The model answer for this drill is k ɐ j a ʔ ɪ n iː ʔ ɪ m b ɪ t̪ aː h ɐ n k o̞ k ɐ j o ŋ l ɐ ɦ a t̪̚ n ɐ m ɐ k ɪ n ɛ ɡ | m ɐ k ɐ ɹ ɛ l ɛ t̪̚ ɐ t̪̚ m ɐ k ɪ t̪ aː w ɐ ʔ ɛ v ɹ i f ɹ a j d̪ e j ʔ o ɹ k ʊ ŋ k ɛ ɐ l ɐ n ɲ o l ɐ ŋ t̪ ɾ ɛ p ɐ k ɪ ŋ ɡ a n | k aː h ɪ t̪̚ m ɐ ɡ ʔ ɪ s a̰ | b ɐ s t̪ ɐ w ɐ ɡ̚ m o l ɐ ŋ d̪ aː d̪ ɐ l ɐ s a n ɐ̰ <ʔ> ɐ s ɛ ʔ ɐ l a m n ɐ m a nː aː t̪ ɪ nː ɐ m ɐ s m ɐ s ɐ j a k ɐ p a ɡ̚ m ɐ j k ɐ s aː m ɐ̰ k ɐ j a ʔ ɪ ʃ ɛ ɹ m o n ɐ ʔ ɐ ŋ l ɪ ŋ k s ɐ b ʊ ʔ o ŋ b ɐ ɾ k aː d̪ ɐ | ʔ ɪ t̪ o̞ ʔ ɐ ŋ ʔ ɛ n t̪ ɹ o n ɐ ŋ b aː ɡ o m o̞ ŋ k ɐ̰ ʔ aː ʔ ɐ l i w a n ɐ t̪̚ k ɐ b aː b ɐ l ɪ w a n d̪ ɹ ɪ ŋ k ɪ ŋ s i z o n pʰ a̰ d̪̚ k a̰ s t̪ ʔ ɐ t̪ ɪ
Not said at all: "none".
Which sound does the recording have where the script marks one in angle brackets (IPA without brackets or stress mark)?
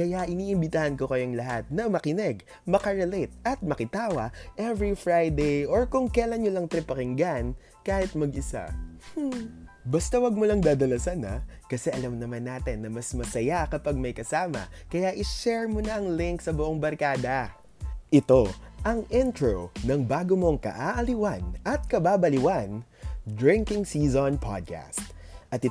k